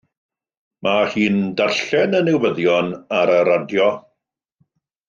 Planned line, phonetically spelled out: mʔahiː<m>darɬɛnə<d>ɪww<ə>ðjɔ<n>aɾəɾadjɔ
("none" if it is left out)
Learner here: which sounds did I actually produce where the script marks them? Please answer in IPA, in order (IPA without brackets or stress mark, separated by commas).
n, n, ə, n